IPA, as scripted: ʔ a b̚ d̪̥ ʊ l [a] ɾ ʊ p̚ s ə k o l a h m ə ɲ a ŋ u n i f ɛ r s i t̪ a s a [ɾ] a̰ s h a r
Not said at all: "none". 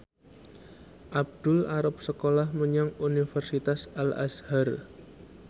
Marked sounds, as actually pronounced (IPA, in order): a, l

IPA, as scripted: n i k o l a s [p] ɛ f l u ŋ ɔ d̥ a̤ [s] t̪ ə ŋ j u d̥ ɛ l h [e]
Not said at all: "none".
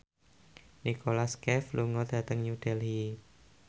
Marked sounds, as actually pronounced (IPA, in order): k, none, i

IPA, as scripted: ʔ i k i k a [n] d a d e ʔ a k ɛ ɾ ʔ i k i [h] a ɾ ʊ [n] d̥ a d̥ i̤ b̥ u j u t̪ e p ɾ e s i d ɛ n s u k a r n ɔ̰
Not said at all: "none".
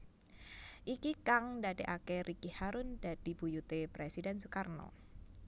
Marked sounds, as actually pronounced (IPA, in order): ŋ, h, n

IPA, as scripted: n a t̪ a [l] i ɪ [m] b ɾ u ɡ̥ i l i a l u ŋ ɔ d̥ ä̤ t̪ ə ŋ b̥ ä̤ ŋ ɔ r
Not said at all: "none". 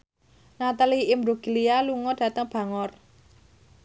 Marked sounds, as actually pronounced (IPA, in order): l, m

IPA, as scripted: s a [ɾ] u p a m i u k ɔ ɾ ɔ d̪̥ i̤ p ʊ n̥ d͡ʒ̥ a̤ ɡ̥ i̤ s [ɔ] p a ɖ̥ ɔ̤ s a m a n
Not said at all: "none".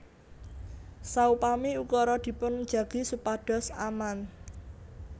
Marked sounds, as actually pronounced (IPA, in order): none, u

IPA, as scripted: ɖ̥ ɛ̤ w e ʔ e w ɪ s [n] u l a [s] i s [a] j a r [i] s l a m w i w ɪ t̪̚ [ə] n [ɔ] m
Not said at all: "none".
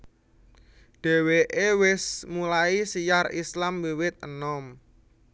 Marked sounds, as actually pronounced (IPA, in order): m, none, i, i, ə, ɔ

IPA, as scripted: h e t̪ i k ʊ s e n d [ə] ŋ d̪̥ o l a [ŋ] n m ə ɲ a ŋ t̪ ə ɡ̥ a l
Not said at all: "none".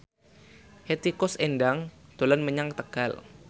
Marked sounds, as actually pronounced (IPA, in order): a, none

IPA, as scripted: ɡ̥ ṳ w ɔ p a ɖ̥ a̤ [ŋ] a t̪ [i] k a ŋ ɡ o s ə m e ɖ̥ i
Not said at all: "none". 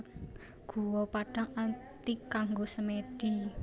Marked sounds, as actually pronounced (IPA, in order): ŋ, i

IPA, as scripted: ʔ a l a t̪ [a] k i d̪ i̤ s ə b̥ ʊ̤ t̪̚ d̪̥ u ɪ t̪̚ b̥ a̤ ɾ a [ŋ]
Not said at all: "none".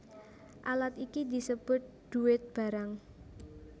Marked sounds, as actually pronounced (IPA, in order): i, ŋ

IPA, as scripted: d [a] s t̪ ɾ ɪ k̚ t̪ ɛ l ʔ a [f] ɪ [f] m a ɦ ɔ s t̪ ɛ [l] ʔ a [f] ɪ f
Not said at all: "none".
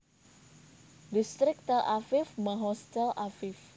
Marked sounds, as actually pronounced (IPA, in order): i, f, f, l, f

